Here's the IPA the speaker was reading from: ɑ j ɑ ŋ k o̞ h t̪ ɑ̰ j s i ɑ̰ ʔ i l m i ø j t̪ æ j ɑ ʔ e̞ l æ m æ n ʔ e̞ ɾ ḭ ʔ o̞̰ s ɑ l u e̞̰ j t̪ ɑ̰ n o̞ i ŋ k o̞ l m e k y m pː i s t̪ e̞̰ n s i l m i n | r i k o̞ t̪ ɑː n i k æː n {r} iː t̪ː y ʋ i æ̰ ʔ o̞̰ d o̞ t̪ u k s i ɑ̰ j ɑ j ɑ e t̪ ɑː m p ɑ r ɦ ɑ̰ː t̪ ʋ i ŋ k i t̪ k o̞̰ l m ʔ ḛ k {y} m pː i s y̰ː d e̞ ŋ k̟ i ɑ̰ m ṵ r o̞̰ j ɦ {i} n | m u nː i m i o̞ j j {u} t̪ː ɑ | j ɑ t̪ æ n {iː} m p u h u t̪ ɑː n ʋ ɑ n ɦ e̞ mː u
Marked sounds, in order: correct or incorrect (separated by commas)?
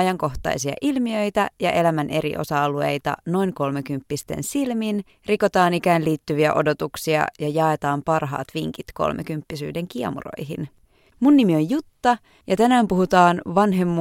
incorrect, correct, correct, correct, incorrect